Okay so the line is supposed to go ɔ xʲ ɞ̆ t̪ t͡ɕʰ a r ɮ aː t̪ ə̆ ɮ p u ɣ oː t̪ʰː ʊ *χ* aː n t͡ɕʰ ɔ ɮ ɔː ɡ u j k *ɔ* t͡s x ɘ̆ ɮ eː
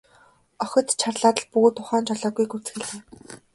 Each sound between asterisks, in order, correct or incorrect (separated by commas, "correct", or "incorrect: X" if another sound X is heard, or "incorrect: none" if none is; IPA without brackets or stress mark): correct, incorrect: u